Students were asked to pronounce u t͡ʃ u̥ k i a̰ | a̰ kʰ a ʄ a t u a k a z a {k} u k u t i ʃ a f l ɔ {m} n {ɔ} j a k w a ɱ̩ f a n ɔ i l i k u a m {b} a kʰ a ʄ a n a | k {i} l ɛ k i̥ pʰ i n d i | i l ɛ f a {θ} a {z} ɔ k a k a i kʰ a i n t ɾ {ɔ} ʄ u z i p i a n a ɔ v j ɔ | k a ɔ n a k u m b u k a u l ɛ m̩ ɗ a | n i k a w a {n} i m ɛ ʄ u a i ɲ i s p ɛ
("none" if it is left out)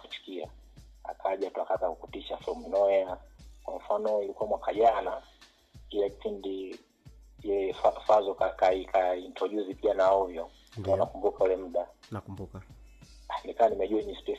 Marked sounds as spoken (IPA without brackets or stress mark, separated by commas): k, m, ɔ, w, i, f, z, ɔ, n